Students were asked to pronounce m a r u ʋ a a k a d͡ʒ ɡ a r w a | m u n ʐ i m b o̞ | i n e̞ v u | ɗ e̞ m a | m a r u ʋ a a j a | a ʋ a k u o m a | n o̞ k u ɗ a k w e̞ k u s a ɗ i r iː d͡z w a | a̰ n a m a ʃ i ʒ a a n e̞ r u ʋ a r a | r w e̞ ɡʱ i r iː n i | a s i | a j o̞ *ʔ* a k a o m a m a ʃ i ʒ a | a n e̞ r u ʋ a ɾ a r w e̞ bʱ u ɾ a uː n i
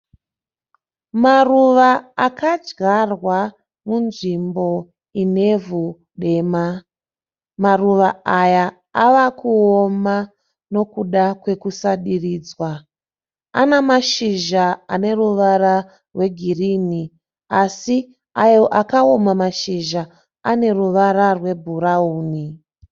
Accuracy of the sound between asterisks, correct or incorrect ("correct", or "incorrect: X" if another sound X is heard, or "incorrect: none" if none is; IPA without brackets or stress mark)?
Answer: correct